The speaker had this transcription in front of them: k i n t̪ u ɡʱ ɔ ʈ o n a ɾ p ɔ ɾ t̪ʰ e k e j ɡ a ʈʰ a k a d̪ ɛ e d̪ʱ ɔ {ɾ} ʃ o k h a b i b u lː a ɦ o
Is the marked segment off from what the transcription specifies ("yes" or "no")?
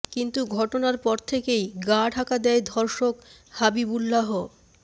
no